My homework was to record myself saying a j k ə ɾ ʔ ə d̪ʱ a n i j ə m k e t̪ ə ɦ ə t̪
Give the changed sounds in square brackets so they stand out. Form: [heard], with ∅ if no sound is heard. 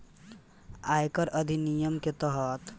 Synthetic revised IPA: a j k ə ɾ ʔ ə d̪ʱ [i] n i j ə m k e t̪ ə ɦ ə t̪